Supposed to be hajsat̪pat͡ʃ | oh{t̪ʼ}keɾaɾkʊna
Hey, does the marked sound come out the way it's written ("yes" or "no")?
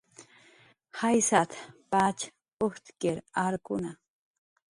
no